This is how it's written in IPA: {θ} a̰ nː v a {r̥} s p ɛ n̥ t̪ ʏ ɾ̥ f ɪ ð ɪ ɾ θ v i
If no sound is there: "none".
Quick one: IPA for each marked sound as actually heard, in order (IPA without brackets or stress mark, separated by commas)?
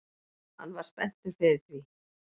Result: h, ɾ̥